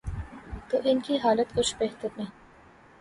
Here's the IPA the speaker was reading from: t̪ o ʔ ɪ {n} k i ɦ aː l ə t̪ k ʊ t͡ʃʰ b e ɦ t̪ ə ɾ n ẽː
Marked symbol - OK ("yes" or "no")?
yes